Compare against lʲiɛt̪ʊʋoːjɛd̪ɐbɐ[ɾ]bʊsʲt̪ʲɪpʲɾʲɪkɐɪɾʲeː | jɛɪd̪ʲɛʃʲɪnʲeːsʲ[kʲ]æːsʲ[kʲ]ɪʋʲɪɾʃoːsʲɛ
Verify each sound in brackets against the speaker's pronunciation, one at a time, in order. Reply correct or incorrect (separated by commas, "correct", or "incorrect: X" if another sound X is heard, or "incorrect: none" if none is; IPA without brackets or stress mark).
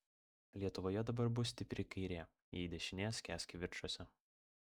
correct, correct, correct